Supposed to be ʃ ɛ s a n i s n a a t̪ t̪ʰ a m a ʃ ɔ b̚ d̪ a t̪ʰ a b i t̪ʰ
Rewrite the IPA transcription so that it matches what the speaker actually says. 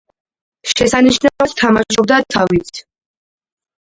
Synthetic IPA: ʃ ɛ s a n i ʃ n a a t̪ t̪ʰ a m a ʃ ɔ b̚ d̪ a t̪ʰ a v i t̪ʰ

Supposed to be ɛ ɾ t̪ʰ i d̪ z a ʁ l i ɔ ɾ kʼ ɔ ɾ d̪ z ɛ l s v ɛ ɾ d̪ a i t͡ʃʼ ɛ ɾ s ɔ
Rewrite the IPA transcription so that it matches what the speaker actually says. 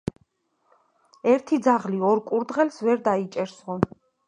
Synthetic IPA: ɛ ɾ t̪ʰ i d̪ z a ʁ l i ɔ ɾ kʼ u ɾ d̪ ʁ ɛ l s v ɛ ɾ d̪ a i t͡ʃʼ ɛ ɾ s ɔ

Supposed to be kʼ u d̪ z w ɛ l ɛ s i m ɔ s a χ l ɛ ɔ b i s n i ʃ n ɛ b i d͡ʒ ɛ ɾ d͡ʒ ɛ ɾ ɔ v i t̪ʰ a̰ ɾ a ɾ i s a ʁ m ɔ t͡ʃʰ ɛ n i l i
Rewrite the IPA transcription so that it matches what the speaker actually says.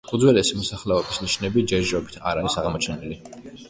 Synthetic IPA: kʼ u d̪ z w ɛ l ɛ s i m ɔ s a χ l ɛ ɔ b i s n i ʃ n ɛ b i d͡ʒ ɛ ɾ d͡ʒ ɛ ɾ ɔ b i t̪ʰ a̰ ɾ a ɾ i s a ʁ m ɔ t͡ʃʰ ɛ n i l i

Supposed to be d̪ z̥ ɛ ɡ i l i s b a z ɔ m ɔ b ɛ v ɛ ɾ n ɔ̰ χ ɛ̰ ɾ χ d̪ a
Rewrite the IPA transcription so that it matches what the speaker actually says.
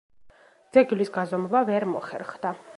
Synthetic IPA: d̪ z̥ ɛ ɡ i l i s ɡ a z ɔ m ɔ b a v ɛ ɾ m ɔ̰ χ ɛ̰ ɾ χ d̪ a

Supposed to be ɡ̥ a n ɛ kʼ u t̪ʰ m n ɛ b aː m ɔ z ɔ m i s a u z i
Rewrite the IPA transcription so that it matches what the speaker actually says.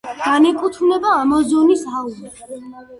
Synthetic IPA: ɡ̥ a n ɛ kʼ u t̪ʰ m n ɛ b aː m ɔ z ɔ n i s a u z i

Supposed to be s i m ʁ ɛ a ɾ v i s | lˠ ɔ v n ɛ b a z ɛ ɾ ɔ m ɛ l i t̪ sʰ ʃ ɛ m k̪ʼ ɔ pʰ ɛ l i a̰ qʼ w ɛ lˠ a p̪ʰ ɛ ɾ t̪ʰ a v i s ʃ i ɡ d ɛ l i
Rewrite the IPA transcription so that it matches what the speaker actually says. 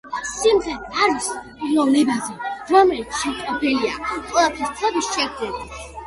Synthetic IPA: s i m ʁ ɛ a ɾ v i s | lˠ ɔ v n ɛ b a z ɛ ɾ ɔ m ɛ l i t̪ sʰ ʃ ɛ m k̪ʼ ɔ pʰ ɛ l i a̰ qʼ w ɛ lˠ a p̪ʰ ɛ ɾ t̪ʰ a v i s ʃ ɛ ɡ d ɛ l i

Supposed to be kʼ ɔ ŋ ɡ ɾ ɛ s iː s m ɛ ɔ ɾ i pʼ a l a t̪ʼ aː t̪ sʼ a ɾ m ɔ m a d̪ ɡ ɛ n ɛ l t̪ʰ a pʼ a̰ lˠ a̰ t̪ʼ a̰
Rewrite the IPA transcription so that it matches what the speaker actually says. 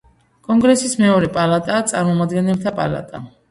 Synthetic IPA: kʼ ɔ ŋ ɡ ɾ ɛ s i s m ɛ ɔ ɾ ɛ pʼ a l a t̪ʼ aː t̪ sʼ a ɾ m ɔ m a d̪ ɡ ɛ n ɛ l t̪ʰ a pʼ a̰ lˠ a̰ t̪ʼ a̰

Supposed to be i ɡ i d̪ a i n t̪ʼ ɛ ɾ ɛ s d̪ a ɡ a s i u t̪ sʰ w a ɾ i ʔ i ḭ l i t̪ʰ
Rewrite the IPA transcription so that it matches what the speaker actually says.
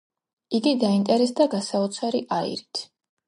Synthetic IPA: i ɡ i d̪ a i n t̪ʼ ɛ ɾ ɛ s d̪ a ɡ a s a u t̪ sʰ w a ɾ i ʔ a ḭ ɾ i t̪ʰ

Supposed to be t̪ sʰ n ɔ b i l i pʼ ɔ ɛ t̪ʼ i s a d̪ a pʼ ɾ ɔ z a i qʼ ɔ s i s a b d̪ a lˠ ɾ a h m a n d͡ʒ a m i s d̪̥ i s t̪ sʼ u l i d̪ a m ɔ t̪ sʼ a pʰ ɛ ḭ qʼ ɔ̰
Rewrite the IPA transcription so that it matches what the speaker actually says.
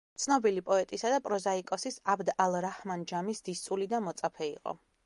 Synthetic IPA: t̪ sʰ n ɔ b i l i pʼ ɔ ɛ t̪ʼ i s a d̪ a pʼ ɾ ɔ z a i kʼ ɔ s i s a b d̪ a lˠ ɾ a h m a n d͡ʒ a m i s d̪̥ i s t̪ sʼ u l i d̪ a m ɔ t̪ sʼ a pʰ ɛ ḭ qʼ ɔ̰

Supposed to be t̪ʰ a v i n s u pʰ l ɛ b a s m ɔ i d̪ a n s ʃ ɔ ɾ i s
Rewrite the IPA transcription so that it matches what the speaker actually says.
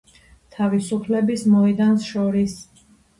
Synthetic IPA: t̪ʰ a v i s u pʰ l ɛ b i s m ɔ i d̪ a n s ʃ ɔ ɾ i s

